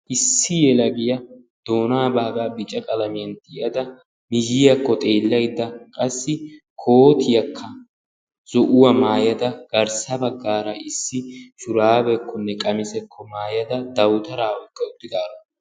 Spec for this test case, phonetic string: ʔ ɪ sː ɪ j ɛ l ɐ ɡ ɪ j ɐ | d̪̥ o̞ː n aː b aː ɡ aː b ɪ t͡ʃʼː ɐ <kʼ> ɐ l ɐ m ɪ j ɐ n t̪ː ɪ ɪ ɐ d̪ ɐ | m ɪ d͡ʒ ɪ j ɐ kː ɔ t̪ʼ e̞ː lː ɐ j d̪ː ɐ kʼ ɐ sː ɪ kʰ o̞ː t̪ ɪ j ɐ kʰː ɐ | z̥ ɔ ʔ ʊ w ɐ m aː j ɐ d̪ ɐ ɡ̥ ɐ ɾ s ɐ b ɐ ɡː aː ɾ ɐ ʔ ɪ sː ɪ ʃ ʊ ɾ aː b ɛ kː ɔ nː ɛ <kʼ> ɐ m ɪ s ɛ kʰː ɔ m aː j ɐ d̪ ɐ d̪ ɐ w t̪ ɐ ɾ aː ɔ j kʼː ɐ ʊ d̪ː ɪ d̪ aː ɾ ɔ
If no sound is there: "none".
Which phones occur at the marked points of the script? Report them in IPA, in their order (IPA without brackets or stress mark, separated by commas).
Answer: kʼ, kʼ